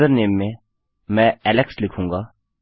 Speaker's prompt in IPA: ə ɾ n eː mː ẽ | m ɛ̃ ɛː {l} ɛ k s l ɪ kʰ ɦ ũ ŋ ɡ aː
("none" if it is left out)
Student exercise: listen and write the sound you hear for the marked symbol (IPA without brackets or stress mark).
l